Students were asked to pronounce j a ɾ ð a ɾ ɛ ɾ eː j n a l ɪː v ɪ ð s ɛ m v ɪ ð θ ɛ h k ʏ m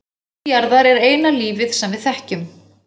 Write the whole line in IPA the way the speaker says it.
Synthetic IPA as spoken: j a ɾ ð a ɾ ɛ ɾ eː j n a l iː v ɪ ð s ɛ m v ɪ ð θ ɛ h c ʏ m